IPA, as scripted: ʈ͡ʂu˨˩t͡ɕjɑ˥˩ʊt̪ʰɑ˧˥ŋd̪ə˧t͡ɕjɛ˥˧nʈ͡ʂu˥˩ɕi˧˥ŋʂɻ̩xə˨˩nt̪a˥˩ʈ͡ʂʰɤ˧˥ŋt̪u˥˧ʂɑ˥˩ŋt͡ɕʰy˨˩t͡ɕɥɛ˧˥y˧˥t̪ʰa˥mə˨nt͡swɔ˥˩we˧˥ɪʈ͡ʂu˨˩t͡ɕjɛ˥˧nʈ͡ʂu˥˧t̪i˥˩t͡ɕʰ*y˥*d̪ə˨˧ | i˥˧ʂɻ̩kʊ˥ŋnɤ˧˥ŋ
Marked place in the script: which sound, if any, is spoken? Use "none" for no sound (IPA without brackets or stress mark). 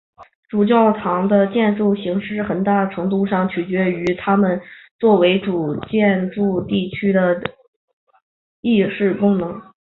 y˥